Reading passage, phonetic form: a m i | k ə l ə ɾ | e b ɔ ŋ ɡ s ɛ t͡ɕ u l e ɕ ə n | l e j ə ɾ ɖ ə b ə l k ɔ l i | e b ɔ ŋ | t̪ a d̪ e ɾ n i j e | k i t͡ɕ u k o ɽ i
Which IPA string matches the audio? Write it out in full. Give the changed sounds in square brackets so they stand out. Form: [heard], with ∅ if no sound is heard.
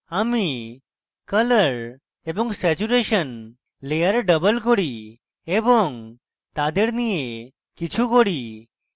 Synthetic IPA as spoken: a m i | k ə l ə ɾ | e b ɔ ŋ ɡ s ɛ t͡ɕ u [ɾ] e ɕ ə n | l e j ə ɾ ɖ ə b ə l k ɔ [ɽ] i | e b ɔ ŋ | t̪ a d̪ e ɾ n i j e | k i [t͡ɕʰ] u k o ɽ i